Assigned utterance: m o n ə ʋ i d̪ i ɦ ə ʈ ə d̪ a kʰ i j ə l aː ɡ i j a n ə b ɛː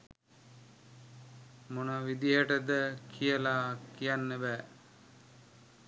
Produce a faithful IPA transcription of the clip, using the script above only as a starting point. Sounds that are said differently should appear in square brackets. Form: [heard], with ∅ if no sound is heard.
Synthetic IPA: m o n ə ʋ i d̪ i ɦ ə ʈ ə d̪ [ə] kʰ i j ə l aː [k] i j a [nː] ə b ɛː